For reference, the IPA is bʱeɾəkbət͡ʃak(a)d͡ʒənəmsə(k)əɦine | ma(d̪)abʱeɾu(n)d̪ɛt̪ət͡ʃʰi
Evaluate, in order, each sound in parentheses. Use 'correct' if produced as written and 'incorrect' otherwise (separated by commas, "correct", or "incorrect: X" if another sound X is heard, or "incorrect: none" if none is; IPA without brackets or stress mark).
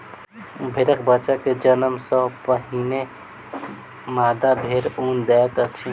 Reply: incorrect: e, incorrect: p, correct, correct